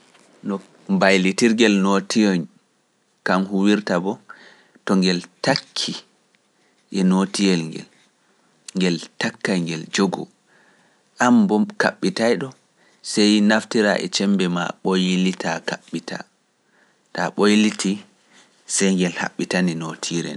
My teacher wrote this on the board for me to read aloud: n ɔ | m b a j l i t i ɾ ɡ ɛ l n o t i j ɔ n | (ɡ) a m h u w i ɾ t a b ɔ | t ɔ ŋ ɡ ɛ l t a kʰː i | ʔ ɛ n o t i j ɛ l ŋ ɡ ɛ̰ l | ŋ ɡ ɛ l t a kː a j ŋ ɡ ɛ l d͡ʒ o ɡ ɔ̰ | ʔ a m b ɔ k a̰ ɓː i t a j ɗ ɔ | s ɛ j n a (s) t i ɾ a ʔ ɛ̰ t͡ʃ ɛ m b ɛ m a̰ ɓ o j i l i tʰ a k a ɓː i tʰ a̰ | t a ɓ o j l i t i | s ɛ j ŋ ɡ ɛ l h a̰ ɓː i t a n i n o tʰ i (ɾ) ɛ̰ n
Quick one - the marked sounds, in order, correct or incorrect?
incorrect, incorrect, correct

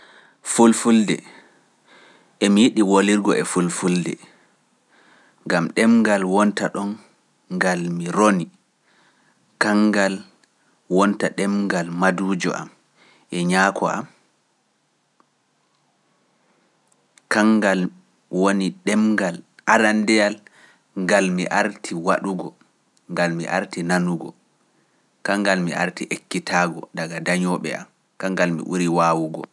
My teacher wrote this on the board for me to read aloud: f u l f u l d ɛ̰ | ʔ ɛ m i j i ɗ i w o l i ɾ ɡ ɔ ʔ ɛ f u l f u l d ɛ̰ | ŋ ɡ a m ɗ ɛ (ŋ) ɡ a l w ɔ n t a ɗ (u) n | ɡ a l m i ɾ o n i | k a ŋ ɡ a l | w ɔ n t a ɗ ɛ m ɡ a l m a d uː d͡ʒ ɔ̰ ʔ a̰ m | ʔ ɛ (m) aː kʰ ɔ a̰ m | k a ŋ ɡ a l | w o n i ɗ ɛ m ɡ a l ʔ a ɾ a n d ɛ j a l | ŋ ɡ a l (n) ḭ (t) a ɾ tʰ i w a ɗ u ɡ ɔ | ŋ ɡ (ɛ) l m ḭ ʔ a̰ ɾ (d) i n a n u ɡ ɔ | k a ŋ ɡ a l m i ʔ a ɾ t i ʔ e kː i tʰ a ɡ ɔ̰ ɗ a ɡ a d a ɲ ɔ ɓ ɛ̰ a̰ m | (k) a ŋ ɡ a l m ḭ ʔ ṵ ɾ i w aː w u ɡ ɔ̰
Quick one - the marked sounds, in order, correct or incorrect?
incorrect, incorrect, incorrect, incorrect, incorrect, incorrect, incorrect, correct

